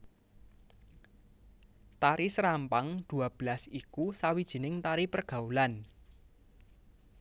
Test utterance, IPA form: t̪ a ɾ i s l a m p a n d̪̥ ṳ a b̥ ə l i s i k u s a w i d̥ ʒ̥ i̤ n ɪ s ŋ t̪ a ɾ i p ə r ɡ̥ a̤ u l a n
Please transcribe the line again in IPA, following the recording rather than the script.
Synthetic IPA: t̪ a ɾ i s ɾ a m p a ŋ d̪̥ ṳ a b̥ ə l a s i k u s a w i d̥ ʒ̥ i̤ n ɪ ŋ t̪ a ɾ i p ə r ɡ̥ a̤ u l a n